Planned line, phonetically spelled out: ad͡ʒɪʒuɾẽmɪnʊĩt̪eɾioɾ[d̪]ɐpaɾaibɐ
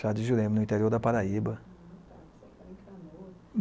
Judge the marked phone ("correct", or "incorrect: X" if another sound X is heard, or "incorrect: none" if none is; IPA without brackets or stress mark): correct